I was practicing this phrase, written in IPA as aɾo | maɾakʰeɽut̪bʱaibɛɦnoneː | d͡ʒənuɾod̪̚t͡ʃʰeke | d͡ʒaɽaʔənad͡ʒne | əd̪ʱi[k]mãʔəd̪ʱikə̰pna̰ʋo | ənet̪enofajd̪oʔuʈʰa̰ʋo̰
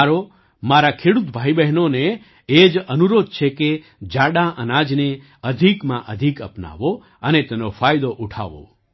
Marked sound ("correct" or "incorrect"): correct